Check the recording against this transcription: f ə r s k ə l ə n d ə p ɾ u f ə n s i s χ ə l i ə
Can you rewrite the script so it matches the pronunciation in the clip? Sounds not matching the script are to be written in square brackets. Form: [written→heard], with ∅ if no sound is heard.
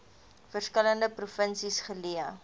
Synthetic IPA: f ə r s k ə l ə n d ə p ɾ u f ə n s i s χ ə l i ə